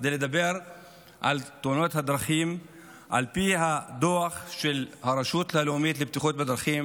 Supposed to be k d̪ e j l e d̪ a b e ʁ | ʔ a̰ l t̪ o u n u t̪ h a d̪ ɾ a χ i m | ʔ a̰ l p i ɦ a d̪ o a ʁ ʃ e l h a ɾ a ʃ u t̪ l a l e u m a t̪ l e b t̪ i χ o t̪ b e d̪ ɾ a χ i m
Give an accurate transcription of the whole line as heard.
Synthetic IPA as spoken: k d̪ e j l e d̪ a b e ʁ | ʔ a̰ l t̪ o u n o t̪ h a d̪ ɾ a χ i m | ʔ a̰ l p i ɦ a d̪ o a χ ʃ e l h a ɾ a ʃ u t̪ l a l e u m i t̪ l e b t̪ i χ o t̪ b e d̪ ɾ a χ i m